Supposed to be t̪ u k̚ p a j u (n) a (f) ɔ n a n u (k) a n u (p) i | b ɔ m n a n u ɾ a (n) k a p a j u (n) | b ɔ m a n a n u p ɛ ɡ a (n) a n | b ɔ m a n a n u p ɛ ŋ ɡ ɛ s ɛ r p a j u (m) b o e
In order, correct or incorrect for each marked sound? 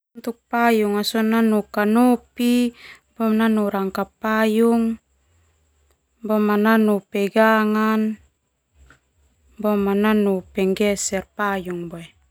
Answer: incorrect: ŋ, incorrect: s, correct, correct, incorrect: ŋ, incorrect: ŋ, incorrect: ŋ, incorrect: ŋ

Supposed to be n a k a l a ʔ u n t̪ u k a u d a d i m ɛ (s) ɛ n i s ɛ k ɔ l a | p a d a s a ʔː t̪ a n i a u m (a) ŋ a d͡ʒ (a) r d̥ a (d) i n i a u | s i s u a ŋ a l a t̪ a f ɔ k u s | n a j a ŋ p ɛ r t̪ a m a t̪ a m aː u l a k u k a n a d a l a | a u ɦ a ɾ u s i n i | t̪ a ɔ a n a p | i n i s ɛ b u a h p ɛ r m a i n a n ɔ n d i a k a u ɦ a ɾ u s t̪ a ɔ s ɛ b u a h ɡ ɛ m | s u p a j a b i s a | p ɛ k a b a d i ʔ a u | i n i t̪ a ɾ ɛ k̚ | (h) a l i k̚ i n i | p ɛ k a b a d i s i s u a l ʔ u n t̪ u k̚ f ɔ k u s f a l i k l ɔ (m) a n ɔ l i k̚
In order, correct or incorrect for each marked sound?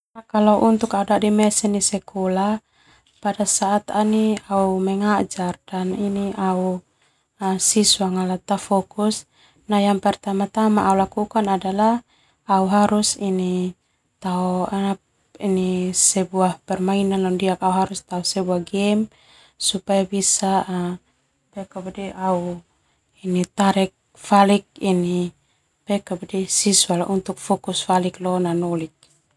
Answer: correct, incorrect: ɛ, correct, incorrect: n, incorrect: f, incorrect: n

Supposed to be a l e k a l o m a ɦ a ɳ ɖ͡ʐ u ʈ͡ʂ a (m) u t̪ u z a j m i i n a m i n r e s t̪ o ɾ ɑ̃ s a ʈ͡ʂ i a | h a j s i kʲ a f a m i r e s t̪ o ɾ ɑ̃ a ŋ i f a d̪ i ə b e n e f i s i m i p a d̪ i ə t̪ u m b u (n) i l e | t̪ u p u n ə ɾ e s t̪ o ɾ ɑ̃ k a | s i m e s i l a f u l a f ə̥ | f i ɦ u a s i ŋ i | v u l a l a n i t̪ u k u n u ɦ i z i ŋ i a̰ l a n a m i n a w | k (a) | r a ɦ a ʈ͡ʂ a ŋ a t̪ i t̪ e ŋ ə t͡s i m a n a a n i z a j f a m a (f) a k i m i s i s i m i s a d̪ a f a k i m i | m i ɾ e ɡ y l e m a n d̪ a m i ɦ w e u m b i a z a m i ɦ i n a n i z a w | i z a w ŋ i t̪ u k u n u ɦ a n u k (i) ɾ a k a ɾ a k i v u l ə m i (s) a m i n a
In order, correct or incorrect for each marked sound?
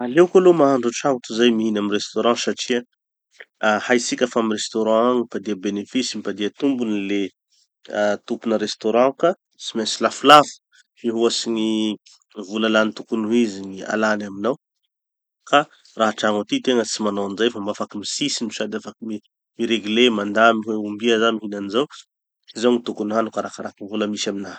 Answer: incorrect: ŋ, correct, correct, correct, incorrect: a, correct

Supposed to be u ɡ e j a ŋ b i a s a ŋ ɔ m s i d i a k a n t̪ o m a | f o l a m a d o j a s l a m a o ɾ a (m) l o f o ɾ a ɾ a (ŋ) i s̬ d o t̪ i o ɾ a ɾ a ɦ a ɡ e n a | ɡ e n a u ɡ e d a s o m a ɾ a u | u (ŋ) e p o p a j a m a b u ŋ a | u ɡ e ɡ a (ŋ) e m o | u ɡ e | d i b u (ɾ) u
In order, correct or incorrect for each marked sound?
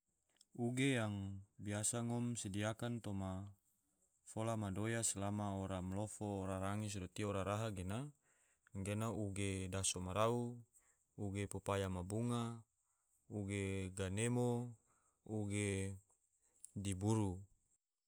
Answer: correct, correct, incorrect: ɡ, incorrect: n, correct

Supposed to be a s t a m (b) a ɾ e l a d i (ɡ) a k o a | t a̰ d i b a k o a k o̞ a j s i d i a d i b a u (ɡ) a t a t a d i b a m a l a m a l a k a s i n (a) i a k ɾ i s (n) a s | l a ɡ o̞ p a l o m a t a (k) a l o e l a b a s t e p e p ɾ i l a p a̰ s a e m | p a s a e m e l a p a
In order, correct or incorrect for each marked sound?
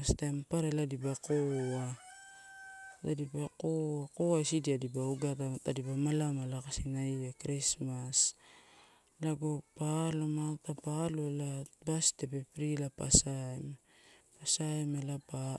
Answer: incorrect: p, incorrect: b, correct, correct, incorrect: m, incorrect: p

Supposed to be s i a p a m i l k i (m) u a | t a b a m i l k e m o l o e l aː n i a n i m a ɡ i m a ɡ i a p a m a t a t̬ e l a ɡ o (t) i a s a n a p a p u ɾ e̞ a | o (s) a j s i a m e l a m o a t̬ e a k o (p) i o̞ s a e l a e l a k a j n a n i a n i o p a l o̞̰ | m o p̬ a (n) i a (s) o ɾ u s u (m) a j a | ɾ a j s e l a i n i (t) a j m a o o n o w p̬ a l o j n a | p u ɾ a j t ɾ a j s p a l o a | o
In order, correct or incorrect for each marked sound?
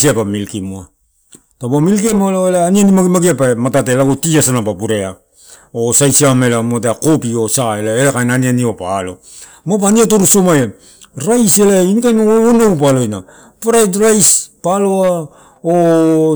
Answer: correct, correct, correct, correct, correct, incorrect: t, correct, incorrect: k

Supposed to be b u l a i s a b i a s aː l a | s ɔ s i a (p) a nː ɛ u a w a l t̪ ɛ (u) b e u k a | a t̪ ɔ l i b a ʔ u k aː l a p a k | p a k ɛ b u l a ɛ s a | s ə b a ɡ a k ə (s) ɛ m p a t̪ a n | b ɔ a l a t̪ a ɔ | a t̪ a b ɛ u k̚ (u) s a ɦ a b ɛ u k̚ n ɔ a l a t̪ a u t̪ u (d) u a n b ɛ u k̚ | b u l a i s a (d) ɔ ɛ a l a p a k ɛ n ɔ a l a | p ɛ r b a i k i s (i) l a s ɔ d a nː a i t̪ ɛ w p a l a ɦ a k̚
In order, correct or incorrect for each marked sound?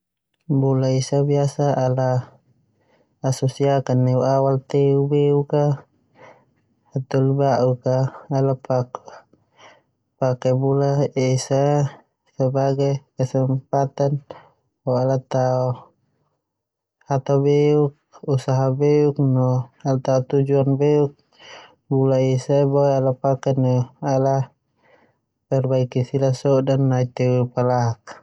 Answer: incorrect: k, correct, correct, correct, incorrect: d͡ʒ, incorrect: b, correct

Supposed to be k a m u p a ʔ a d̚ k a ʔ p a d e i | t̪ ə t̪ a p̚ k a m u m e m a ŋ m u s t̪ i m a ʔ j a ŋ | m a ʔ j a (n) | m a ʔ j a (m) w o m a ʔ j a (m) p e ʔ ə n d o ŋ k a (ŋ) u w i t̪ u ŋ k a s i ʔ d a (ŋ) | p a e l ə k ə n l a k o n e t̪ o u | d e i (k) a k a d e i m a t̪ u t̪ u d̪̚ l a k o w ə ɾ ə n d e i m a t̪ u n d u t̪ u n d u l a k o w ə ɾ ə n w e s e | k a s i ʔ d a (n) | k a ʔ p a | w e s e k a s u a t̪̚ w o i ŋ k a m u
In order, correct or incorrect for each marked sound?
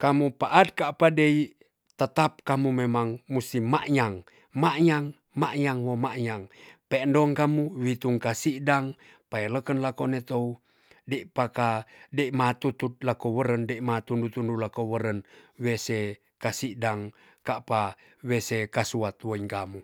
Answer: incorrect: ŋ, incorrect: ŋ, incorrect: ŋ, incorrect: m, correct, incorrect: p, incorrect: ŋ

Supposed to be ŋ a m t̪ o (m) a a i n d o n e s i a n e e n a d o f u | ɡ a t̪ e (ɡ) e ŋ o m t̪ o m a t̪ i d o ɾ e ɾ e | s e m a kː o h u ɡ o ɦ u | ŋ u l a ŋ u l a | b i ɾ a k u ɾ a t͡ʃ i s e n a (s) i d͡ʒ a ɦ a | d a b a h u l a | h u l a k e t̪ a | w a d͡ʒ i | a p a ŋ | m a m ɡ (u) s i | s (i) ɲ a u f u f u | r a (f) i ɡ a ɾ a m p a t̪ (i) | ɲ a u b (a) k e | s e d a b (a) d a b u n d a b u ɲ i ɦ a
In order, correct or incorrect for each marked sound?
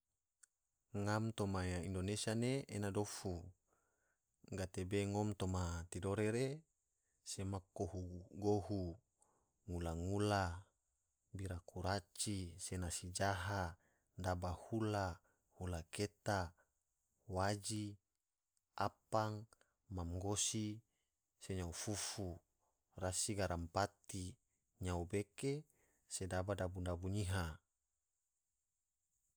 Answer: correct, incorrect: b, correct, incorrect: o, incorrect: e, incorrect: s, correct, incorrect: e, correct

